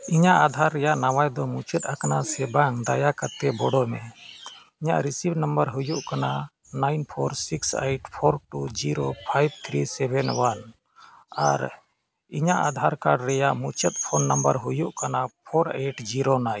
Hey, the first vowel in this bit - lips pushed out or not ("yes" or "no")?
no